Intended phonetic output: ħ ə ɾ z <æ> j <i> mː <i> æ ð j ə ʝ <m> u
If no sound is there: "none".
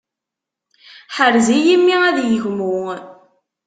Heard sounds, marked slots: i, i, i, m

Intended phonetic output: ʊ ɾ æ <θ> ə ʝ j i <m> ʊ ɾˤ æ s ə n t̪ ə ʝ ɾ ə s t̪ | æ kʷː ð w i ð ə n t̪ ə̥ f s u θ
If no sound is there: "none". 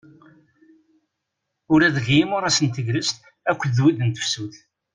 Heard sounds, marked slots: ð, m

